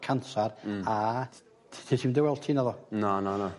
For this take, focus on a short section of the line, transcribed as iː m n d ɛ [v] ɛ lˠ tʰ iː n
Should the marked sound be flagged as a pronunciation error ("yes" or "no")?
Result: yes